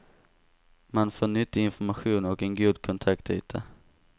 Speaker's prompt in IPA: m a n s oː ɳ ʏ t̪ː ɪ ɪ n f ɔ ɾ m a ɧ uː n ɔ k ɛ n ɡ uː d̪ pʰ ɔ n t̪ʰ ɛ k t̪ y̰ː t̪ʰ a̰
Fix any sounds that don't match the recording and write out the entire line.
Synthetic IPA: m a n f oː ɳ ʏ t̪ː ɪ ɪ n f ɔ ɾ m a ɧ uː n ɔ k ɛ n ɡ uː d̪ kʰ ɔ n t̪ʰ a k t̪ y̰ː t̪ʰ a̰

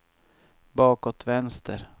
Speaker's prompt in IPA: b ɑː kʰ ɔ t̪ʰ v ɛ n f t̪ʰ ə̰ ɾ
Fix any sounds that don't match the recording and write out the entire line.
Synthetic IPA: b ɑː k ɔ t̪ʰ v ɛ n s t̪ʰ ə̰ ɾ

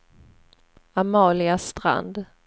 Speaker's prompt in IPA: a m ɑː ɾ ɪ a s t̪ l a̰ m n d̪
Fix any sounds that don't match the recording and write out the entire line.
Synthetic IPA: a m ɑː l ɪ a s t̪ ɾ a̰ n d̪

